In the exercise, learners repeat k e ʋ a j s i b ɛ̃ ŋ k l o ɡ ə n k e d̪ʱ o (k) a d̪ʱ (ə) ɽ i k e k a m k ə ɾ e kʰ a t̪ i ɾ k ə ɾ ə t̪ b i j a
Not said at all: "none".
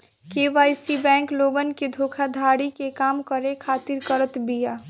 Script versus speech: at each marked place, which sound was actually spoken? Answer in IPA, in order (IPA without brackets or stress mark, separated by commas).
kʰ, a